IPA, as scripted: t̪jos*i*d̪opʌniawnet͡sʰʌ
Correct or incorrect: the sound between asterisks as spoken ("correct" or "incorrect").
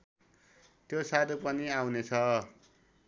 incorrect